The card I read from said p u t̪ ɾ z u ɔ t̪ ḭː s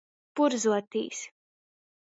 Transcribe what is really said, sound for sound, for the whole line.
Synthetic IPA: p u ɾ z u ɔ t̪ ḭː s

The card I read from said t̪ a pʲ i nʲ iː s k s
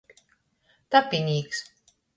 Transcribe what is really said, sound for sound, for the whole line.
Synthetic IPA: t̪ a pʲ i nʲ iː k s

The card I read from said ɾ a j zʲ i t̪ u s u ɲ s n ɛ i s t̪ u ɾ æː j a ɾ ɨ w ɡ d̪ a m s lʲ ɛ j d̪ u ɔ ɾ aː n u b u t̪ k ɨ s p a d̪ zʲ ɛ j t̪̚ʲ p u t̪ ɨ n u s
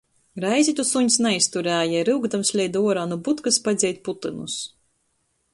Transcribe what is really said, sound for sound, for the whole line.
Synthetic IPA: ɾ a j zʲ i t̪ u s u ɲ s n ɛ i s t̪ u ɾ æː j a ɾ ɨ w ɡ d̪ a m s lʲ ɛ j d̪ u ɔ ɾ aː n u b u t̪ k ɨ s p a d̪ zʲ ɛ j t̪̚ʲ p u t̪ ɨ n u s

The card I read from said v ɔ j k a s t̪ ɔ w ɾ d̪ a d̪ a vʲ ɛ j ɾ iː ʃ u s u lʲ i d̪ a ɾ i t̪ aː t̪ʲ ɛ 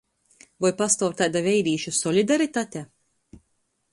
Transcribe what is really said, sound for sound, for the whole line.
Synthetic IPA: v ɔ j p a s t̪ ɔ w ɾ t̪ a d̪ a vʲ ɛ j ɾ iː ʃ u s ɔ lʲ i d̪ a ɾ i t̪ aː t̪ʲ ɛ

